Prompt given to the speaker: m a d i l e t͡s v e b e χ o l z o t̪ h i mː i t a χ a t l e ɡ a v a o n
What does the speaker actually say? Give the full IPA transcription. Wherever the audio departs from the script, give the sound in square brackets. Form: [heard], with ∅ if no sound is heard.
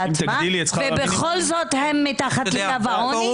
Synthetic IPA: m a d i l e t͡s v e b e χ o l z o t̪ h [e] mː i t a χ a t l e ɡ a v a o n